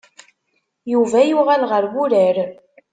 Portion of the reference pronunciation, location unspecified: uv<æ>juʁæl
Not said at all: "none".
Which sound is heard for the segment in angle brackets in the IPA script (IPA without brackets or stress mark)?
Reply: æ